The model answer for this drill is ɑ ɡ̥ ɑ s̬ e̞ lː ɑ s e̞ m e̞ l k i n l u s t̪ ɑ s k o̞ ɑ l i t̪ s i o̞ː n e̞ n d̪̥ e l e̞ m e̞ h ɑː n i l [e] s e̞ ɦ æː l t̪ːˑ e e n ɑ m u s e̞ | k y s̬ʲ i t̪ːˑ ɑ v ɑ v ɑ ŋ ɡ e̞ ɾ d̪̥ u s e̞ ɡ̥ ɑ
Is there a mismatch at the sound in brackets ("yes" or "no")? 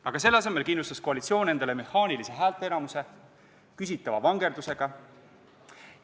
yes